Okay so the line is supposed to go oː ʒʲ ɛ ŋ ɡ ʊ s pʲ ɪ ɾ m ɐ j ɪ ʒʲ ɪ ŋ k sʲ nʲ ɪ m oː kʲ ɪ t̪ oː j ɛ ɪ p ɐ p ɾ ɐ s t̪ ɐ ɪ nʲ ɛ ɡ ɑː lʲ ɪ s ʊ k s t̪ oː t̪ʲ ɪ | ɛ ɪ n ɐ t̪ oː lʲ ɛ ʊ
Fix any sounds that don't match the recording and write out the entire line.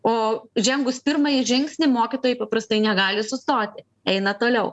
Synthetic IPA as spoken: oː ʒʲ ɛ ŋ ɡ ʊ s pʲ ɪ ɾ m ɐ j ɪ ʒʲ ɪ ŋ k sʲ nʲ ɪ m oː kʲ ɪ t̪ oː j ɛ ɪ p ɐ p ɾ ɐ s t̪ ɐ ɪ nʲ ɛ ɡ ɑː lʲ ɪ s ʊ s t̪ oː t̪ʲ ɪ | ɛ ɪ n ɐ t̪ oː lʲ ɛ ʊ

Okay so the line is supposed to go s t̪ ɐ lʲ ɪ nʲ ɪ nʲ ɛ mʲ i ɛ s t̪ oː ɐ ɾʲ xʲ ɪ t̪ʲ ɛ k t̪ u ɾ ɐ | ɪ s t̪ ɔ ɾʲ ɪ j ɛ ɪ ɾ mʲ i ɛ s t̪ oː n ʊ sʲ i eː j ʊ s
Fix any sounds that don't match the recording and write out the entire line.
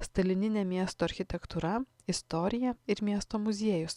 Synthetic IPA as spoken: s t̪ ɐ lʲ ɪ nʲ ɪ nʲ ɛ mʲ i ɛ s t̪ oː ɐ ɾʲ xʲ ɪ t̪ʲ ɛ k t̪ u ɾ ɐ | ɪ s t̪ ɔ ɾʲ ɪ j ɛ ɪ ɾ mʲ i ɛ s t̪ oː m ʊ zʲ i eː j ʊ s

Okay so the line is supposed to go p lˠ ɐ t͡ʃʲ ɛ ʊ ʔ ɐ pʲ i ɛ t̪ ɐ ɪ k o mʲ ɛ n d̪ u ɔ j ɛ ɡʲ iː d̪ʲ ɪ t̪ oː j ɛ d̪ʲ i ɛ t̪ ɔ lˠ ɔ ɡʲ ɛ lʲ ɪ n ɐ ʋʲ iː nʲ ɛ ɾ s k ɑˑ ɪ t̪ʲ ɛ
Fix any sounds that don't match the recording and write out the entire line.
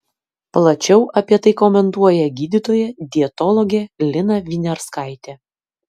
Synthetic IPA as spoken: p lˠ ɐ t͡ʃʲ ɛ ʊ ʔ ɐ pʲ i ɛ t̪ ɐ ɪ k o mʲ ɛ n t̪ u ɔ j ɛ ɡʲ iː d̪ʲ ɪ t̪ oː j ɛ d̪ʲ i ɛ t̪ ɔ lˠ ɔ ɡʲ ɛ lʲ ɪ n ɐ ʋʲ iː nʲ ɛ ɾ s k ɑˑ ɪ t̪ʲ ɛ

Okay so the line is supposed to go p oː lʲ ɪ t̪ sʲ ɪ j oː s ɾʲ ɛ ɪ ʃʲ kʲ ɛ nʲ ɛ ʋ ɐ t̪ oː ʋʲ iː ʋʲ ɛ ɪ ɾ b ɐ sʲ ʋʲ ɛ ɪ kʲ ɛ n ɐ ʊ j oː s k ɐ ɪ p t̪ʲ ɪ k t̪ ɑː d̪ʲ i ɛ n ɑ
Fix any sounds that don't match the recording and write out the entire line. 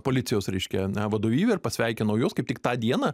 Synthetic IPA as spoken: p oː lʲ ɪ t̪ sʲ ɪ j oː s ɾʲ ɛ ɪ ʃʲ kʲ ɛ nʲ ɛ ʋ ɐ d̪ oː ʋʲ iː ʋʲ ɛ ɪ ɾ p ɐ sʲ ʋʲ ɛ ɪ kʲ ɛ n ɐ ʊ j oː s k ɐ ɪ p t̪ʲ ɪ k t̪ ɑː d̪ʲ i ɛ n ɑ

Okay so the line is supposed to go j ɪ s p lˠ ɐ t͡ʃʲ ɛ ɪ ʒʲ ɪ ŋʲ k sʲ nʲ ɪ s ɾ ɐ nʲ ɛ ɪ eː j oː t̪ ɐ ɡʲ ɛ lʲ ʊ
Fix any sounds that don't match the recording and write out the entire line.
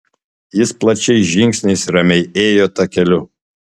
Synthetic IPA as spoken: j ɪ s p lˠ ɐ t͡ʃʲ ɛ ɪ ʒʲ ɪ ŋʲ k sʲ nʲ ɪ s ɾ ɐ mʲ ɛ ɪ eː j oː t̪ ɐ kʲ ɛ lʲ ʊ

